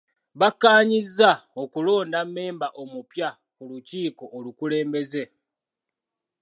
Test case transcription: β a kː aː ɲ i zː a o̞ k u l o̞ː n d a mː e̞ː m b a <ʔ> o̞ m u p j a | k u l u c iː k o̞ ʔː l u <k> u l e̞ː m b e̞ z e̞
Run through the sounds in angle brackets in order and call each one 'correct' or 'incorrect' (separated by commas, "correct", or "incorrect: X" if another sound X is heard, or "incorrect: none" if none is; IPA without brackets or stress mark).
correct, correct